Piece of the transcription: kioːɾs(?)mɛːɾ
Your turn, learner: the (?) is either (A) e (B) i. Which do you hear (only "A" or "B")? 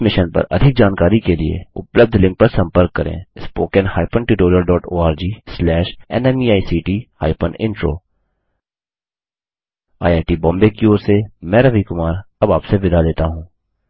A